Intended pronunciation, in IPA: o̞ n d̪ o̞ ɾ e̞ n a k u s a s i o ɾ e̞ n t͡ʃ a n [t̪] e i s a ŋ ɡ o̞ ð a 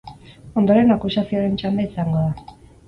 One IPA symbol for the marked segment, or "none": d̪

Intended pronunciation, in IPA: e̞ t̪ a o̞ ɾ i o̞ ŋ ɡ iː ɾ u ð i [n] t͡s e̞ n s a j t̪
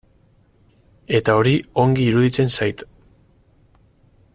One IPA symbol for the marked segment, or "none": none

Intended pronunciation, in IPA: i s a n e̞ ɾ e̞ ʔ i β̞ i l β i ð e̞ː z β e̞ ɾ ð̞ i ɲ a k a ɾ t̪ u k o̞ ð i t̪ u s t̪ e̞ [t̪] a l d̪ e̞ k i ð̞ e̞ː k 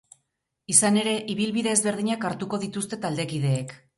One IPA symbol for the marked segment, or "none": t̪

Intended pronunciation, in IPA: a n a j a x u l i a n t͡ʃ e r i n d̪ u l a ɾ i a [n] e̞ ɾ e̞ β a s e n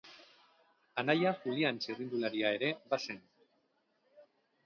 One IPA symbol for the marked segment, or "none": none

